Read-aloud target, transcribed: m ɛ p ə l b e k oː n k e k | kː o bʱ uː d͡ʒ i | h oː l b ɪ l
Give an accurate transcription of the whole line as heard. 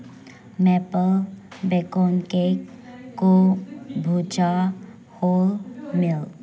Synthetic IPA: m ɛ p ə l b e k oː n k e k | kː o bʱ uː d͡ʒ a | h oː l m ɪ l